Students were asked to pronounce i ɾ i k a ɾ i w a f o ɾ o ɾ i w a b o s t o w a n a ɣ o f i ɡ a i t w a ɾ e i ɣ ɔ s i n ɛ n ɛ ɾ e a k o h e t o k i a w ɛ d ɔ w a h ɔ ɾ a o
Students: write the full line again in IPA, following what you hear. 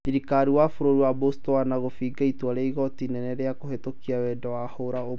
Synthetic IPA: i ɾ i k a ɾ i w a f o ɾ o ɾ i w a b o s t o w a n a ɣ o f i ɡ a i t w a ɾ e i ɣ ɔ t i n ɛ n ɛ ɾ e a k o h e t o k i a w ɛ d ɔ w a h o ɾ a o